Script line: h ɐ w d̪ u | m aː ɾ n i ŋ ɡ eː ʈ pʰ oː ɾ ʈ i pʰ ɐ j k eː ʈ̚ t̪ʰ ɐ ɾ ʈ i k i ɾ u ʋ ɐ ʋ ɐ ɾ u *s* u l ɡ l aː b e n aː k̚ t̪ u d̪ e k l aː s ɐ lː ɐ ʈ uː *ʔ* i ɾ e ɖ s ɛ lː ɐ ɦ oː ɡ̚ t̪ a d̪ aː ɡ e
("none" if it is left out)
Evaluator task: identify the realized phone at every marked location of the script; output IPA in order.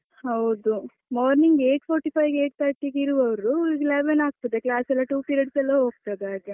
none, p

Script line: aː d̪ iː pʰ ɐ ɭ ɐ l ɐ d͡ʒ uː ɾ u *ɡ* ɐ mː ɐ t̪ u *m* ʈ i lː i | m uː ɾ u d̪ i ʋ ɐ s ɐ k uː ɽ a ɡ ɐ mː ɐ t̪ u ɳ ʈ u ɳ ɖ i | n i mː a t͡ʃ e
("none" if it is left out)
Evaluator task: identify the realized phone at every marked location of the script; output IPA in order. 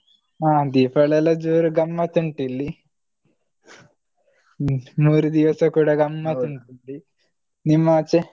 ɡ, ɳ

